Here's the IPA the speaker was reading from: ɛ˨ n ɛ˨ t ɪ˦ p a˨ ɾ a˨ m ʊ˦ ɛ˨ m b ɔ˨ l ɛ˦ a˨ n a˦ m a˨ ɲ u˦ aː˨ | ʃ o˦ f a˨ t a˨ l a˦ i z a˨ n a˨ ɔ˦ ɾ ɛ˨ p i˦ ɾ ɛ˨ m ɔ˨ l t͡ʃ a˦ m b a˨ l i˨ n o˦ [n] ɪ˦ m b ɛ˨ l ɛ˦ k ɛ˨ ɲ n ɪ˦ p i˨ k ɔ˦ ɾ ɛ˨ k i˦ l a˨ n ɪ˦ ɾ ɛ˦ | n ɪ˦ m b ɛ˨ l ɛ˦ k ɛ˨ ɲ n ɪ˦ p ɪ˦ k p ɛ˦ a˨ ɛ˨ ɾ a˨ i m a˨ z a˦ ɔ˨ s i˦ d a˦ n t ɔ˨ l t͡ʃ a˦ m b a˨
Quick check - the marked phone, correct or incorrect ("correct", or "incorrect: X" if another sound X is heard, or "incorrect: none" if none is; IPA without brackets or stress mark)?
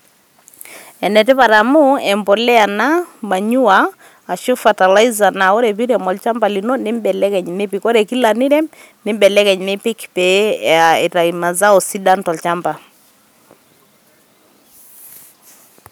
correct